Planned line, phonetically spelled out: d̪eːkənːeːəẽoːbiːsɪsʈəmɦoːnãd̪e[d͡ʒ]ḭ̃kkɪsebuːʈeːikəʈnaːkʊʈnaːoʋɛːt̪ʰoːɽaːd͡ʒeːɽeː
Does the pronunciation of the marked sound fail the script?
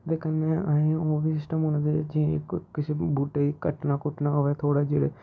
no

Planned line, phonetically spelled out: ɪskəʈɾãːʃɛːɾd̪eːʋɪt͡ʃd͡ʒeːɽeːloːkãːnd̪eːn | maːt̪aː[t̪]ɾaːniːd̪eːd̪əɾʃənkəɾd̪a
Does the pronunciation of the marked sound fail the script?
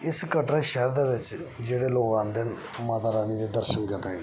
yes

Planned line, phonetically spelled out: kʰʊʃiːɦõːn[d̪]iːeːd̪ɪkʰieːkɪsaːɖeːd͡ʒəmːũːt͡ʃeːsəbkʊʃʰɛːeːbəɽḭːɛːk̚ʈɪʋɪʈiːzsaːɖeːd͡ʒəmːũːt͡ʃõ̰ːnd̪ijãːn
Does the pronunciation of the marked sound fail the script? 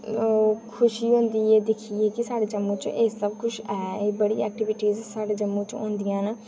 no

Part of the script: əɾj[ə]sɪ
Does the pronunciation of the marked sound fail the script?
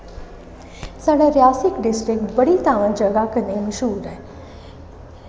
yes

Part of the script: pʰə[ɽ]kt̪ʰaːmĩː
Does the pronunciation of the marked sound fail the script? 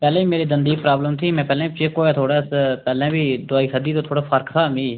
yes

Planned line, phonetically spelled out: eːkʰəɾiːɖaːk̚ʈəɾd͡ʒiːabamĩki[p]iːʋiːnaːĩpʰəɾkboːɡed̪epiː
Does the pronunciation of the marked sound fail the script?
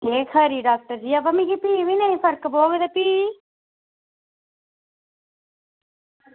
no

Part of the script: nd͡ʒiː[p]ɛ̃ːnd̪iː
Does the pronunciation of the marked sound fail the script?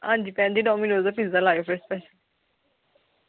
no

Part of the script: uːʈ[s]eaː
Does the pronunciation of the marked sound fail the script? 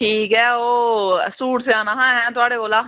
no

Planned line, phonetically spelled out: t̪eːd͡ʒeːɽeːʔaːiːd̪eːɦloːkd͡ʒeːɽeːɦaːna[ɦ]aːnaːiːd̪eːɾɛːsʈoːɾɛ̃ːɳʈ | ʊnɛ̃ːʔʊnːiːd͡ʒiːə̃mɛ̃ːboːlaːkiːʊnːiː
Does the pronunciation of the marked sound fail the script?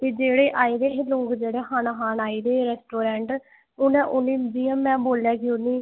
no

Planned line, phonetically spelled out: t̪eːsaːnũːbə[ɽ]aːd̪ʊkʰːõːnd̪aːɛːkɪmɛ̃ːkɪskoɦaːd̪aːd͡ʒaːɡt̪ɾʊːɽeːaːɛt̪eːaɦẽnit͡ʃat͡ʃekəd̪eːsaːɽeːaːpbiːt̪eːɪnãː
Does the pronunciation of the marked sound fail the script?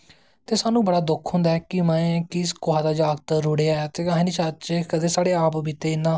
no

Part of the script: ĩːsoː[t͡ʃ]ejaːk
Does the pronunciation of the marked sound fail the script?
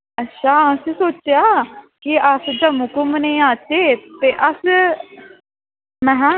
no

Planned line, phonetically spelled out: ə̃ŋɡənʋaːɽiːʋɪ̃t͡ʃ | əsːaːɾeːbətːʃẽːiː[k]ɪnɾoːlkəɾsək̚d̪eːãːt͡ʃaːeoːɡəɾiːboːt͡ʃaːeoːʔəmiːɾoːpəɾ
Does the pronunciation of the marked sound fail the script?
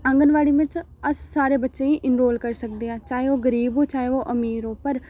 yes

